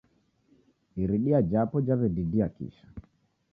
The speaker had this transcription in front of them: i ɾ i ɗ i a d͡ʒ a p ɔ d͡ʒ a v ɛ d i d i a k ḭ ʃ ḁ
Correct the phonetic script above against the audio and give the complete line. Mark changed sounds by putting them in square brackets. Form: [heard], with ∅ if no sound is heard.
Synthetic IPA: i ɾ i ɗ i a d͡ʒ a p ɔ d͡ʒ a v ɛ d i d i a k ḭ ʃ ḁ